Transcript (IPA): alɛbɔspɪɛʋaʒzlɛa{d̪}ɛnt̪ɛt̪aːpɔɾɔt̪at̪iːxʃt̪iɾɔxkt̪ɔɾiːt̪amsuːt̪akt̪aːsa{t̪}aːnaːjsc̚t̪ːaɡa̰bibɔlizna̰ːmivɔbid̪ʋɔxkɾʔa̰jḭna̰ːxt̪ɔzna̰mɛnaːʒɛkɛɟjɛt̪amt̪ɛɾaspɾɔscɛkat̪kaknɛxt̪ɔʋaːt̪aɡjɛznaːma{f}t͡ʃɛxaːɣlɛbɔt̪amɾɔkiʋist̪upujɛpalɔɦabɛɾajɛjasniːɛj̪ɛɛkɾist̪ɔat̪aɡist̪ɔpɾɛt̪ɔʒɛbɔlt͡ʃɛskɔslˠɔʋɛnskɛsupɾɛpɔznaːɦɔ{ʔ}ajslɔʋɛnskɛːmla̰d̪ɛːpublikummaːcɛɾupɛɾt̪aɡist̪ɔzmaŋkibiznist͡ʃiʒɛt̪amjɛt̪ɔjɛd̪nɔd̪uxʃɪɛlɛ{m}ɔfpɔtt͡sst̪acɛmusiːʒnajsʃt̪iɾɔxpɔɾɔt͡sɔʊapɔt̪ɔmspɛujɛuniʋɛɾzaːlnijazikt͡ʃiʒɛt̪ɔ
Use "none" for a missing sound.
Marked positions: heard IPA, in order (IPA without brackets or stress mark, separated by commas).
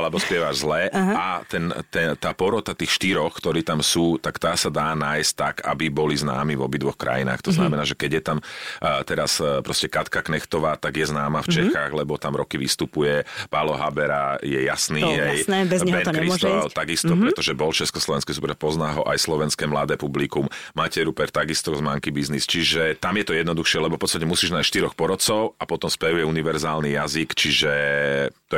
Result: t̪, d̪, f, ʔ, b